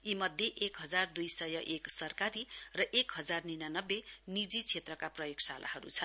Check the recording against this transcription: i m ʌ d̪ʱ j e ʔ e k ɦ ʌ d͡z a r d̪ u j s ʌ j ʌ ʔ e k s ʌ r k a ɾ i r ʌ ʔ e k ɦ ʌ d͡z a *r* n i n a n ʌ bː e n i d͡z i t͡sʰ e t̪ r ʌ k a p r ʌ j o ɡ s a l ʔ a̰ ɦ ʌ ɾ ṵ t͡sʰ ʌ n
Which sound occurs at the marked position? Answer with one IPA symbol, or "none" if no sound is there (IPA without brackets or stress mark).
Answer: r